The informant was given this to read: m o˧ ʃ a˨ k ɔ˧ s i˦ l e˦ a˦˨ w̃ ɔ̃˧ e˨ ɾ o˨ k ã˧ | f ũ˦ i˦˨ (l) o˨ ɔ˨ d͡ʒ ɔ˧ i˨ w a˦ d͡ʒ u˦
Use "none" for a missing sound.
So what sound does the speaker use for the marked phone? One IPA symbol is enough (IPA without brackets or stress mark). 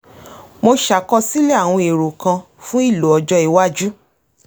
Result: l